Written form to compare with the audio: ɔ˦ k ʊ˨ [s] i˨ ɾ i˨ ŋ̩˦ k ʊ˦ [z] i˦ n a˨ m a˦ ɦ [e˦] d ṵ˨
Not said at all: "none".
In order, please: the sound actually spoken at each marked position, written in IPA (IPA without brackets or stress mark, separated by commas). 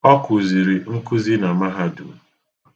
z, z, a˦